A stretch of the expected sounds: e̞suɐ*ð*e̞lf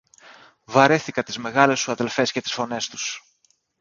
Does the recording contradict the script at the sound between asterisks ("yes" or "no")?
no